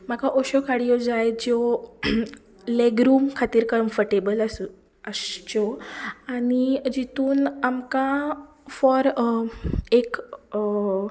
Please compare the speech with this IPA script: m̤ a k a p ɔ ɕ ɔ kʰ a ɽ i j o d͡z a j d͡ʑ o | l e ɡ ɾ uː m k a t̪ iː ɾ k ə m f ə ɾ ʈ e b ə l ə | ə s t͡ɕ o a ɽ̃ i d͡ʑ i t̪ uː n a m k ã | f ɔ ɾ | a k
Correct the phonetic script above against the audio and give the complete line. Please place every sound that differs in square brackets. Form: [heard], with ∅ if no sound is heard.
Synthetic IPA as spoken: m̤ a k a [ʔ] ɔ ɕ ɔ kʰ a ɽ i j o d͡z a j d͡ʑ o | l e ɡ ɾ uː m [kʰ] a t̪ iː ɾ k ə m f ə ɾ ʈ e b ə l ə | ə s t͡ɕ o a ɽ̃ i d͡ʑ i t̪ uː n a m k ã | f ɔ ɾ | [e] k